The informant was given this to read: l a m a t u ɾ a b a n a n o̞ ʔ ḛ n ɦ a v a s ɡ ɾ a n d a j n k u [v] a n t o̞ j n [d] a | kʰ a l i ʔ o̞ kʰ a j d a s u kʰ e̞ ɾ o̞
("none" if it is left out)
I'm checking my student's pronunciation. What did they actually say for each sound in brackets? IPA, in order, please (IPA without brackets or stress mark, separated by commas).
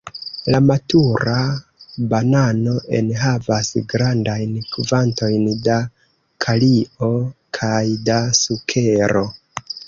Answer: v, d